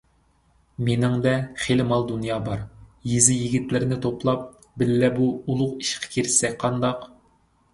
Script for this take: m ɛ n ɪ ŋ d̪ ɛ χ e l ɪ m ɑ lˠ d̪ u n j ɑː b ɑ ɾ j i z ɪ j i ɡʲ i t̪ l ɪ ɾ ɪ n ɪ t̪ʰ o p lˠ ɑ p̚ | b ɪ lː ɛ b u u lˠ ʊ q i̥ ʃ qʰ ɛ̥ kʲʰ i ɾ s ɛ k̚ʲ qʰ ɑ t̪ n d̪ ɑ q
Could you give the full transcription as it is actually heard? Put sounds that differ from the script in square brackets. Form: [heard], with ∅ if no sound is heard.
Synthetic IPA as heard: m [e] n ɪ ŋ d̪ ɛ χ e l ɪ m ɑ lˠ d̪ u n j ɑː b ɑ ɾ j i z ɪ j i ɡʲ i t̪ l ɪ ɾ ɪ n ɪ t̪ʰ o p lˠ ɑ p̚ | b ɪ lː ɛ b u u lˠ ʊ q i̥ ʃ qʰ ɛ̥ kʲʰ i ɾ s ɛ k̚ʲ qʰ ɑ [∅] n d̪ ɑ q